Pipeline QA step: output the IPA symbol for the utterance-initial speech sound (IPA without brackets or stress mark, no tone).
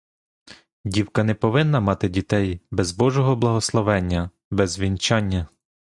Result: dʲ